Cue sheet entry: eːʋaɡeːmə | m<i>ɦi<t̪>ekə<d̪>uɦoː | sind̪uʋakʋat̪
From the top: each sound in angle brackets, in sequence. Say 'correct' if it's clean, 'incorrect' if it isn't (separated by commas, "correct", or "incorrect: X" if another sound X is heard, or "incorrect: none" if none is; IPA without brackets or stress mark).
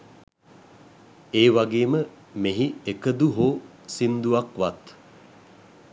incorrect: e, incorrect: none, correct